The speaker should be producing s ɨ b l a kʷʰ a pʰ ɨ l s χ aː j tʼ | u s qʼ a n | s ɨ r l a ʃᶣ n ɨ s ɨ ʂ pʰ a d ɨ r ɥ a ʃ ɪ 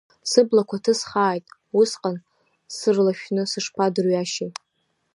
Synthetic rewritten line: s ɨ b l a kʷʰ a tʰ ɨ s χ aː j tʼ | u s qʼ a n | s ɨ r l a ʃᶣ n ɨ s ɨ ʂ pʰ a d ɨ r ɥ a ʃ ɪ